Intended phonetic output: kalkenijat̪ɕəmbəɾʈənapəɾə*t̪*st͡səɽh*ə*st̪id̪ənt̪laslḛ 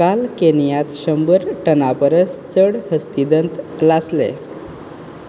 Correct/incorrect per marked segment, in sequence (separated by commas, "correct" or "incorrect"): incorrect, correct